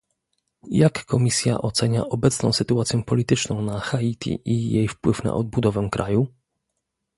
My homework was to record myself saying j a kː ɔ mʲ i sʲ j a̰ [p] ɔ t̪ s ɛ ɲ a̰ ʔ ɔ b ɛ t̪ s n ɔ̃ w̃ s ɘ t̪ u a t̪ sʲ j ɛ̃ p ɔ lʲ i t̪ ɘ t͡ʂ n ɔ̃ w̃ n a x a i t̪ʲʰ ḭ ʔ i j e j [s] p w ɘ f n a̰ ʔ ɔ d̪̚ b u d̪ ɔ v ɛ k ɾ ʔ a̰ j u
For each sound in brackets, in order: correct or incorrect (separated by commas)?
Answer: incorrect, incorrect